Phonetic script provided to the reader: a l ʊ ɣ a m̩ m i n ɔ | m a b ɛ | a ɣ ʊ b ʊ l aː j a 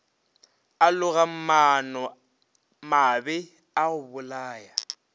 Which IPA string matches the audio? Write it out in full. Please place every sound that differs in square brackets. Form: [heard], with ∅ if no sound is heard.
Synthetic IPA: a l ʊ ɣ a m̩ m [a] n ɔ | m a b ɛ | a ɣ ʊ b ʊ l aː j a